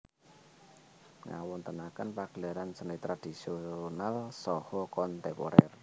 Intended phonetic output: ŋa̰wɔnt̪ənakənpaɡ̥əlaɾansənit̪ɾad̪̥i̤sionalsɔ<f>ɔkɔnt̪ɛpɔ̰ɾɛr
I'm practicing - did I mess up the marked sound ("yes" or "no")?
yes